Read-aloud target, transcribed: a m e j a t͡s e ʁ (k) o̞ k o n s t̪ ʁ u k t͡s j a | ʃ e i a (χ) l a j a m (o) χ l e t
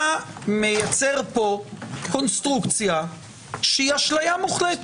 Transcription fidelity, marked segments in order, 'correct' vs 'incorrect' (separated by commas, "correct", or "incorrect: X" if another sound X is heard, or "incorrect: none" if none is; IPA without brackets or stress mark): incorrect: p, incorrect: ʃ, incorrect: u